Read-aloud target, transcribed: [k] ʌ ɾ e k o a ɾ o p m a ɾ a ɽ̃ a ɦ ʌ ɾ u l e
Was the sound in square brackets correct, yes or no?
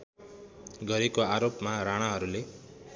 no